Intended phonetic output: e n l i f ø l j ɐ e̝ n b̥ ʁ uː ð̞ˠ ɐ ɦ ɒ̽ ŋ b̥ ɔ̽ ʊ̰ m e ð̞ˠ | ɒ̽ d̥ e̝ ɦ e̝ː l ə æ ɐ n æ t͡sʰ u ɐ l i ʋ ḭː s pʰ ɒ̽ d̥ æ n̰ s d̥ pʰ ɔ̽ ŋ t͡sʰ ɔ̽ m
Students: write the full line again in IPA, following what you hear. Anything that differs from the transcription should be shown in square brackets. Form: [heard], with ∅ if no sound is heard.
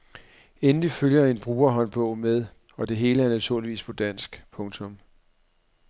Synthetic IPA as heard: e n l i f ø l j ɐ e̝ n b̥ ʁ uː [∅] ɐ ɦ ɒ̽ [n] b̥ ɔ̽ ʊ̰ m e ð̞ˠ | ɒ̽ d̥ e̝ ɦ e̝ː l ə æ ɐ n æ t͡sʰ u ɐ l i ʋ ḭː s pʰ ɒ̽ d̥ æ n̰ s [ɡ̥] pʰ ɔ̽ ŋ t͡sʰ ɔ̽ m